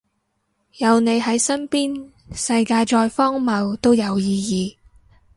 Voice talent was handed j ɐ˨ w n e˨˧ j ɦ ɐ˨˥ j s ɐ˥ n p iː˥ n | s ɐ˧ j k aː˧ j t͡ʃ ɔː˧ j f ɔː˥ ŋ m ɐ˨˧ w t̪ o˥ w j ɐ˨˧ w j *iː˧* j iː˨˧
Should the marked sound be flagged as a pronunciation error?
no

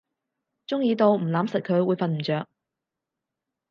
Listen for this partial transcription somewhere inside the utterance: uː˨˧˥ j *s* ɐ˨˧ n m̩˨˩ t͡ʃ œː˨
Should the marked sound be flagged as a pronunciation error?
yes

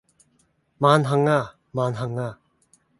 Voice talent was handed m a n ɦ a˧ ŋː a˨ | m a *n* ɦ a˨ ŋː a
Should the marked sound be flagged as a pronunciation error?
no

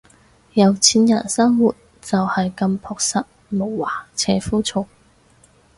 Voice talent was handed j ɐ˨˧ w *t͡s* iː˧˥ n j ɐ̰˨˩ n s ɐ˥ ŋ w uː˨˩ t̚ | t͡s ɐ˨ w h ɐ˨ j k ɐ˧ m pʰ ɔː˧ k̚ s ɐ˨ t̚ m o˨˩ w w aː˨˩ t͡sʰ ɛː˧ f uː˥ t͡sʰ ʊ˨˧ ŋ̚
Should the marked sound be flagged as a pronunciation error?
yes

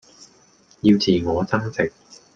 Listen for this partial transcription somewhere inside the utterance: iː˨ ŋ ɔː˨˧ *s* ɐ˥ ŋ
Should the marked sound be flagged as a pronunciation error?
yes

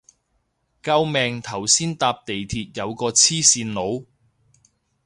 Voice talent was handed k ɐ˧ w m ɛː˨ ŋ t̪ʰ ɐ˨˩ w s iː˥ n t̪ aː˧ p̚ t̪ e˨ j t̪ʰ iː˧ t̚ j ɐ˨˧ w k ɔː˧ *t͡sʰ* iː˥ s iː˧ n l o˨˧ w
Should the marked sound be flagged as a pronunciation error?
no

